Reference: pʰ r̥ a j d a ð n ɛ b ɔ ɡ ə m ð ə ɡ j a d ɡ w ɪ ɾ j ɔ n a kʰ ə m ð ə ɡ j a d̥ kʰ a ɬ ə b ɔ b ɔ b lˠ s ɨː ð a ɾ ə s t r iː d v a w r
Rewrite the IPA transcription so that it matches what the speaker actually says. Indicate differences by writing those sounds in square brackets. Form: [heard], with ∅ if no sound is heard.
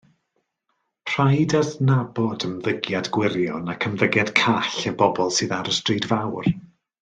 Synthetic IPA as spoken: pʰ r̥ a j d a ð n [a] b ɔ [d] ə m ð ə ɡ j a d ɡ w ɪ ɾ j ɔ n a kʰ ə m ð ə ɡ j a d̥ kʰ a ɬ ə b ɔ b ɔ [∅] lˠ s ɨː ð a ɾ ə s t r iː d v a w r